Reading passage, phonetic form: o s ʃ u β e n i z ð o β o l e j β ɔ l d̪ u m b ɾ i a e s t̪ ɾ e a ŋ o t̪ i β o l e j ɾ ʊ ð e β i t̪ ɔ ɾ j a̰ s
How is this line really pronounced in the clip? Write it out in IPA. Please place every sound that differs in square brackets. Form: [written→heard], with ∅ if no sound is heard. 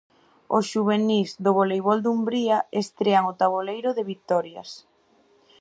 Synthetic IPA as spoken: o s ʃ u β e n i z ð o β o l e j β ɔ l d̪ u m b ɾ i a e s t̪ ɾ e a ŋ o t̪ [i→a] β o l e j ɾ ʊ ð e β i t̪ ɔ ɾ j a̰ s